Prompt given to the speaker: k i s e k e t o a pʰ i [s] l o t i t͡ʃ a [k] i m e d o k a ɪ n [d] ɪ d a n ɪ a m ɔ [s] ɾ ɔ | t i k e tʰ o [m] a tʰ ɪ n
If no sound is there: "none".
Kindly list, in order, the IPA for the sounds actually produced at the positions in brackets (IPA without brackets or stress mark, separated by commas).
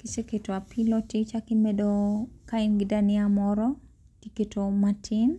none, k, ɡ, none, m